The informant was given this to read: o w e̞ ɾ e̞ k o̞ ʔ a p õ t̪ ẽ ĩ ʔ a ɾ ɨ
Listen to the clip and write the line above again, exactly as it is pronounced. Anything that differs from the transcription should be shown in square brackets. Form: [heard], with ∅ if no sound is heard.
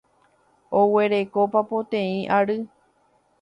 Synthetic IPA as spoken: o w e̞ ɾ e̞ k o̞ [p] a p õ t̪ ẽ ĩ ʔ a ɾ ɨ